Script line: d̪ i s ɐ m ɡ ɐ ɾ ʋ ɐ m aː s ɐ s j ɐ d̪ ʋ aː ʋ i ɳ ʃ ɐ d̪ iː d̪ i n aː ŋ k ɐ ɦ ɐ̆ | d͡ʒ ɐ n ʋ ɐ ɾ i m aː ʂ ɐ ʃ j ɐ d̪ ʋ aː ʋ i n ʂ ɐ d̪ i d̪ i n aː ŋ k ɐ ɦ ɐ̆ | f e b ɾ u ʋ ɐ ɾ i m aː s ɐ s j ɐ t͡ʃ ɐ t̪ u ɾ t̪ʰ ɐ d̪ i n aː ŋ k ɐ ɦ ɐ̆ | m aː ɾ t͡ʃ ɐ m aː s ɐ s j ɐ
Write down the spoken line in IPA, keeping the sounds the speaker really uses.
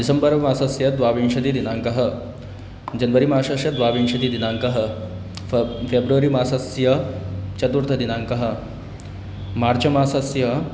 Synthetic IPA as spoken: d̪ i s ɐ m b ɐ ɾ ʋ ɐ m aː s ɐ s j ɐ d̪ ʋ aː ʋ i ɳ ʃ ɐ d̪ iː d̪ i n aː ŋ k ɐ ɦ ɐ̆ | d͡ʒ ɐ n ʋ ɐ ɾ i m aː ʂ ɐ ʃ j ɐ d̪ ʋ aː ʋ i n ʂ ɐ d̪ i d̪ i n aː ŋ k ɐ ɦ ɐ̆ | f e b ɾ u ʋ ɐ ɾ i m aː s ɐ s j ɐ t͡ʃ ɐ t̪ u ɾ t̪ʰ ɐ d̪ i n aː ŋ k ɐ ɦ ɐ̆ | m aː ɾ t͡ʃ ɐ m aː s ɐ s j ɐ